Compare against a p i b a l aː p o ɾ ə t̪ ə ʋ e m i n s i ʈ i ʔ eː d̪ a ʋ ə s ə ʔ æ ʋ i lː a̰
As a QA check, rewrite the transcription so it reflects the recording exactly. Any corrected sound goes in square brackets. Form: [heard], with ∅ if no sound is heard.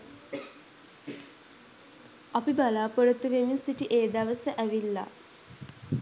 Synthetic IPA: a p i b a l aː p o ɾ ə t̪ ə ʋ e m i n s i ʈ i ʔ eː d̪ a ʋ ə s ə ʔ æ ʋ i lː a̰